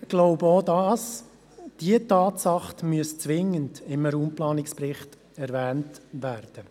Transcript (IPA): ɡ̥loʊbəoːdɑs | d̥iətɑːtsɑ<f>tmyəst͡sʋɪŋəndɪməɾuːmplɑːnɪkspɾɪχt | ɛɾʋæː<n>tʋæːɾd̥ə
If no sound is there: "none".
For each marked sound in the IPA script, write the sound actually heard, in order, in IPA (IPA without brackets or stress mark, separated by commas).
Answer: χ, n